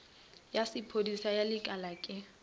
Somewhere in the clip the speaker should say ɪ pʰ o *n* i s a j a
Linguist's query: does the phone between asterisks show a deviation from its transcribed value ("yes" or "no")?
yes